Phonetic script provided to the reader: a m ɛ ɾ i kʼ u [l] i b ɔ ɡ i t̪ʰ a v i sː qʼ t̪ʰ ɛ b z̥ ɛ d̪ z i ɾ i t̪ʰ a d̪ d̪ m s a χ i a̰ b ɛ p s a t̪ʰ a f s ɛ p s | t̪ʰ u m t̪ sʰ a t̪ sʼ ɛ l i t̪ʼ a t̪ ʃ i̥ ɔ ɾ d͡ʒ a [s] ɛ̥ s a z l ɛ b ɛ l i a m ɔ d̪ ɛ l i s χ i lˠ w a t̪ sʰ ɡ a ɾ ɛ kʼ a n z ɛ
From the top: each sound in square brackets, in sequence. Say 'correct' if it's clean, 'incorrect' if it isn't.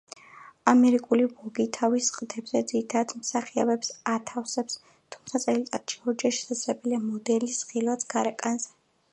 correct, incorrect: ʃ

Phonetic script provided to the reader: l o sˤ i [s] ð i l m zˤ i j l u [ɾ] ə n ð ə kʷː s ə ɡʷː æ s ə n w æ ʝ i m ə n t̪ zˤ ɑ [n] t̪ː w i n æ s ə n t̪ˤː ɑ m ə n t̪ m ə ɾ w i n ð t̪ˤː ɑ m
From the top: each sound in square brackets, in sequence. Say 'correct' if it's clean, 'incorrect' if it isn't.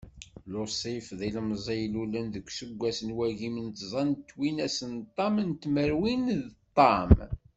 incorrect: f, incorrect: l, correct

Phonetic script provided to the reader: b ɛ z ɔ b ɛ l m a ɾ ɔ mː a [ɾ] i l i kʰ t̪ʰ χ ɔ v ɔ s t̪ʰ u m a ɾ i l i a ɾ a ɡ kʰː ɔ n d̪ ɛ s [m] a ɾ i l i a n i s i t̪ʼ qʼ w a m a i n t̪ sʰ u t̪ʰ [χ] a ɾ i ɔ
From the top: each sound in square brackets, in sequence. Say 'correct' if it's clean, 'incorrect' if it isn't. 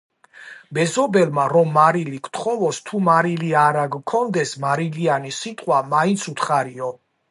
correct, correct, correct

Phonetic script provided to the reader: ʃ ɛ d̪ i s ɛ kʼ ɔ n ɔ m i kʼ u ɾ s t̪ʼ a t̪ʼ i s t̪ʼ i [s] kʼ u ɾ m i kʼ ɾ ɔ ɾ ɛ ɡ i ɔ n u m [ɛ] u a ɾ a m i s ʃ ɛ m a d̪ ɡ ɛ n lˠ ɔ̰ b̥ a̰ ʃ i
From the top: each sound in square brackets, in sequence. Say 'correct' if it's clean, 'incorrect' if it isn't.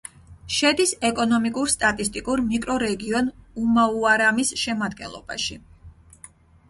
incorrect: none, incorrect: a

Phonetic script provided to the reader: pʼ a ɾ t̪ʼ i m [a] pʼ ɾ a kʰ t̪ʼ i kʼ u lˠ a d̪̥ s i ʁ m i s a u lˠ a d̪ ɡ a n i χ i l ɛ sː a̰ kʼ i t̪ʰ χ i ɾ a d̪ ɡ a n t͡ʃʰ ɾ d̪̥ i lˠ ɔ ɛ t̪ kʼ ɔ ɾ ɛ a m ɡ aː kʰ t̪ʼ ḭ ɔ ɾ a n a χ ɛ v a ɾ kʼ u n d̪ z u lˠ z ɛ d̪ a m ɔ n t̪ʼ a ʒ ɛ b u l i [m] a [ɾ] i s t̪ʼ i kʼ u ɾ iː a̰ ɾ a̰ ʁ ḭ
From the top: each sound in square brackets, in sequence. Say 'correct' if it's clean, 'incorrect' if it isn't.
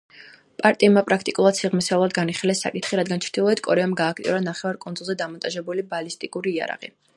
correct, incorrect: b, incorrect: l

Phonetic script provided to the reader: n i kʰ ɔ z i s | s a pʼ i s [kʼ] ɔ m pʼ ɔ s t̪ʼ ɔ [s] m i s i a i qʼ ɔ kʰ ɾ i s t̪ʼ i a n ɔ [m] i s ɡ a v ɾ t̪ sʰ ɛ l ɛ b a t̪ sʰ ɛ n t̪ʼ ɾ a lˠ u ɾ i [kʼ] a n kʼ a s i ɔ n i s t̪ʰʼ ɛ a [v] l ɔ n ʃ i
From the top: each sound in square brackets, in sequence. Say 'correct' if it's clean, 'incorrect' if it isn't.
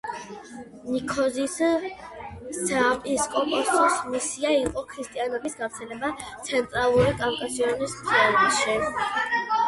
correct, correct, incorrect: b, correct, incorrect: none

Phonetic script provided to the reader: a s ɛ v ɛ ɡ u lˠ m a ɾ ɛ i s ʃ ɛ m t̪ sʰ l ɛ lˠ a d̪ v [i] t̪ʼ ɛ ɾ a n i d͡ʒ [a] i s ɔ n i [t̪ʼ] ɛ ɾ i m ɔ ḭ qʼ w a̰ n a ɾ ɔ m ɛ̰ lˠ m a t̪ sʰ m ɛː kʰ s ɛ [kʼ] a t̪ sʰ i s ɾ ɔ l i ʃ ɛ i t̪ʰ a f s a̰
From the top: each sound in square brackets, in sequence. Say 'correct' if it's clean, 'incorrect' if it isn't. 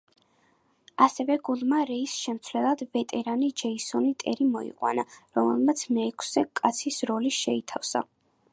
incorrect: ɛ, incorrect: ɛ, correct, correct

